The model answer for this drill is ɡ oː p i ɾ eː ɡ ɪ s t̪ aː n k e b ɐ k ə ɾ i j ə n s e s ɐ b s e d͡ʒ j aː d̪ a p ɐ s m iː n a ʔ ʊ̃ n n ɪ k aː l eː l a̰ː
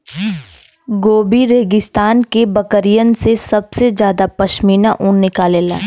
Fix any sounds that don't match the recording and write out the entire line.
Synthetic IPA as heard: ɡ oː b i ɾ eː ɡ ɪ s t̪ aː n k e b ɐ k ə ɾ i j ə n s e s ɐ b s e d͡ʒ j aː d̪ a p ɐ ʃ m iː n a ʔ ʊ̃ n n ɪ k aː l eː l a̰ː